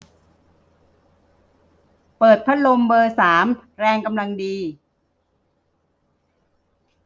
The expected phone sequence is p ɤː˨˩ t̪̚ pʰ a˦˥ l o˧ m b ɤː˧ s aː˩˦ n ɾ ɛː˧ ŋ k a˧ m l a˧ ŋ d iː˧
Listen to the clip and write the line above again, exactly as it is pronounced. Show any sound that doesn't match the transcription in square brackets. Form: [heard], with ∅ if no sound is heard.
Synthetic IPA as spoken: p ɤː˨˩ t̪̚ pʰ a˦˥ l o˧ m b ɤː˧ s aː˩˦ [m] ɾ ɛː˧ ŋ k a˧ m l a˧ ŋ d iː˧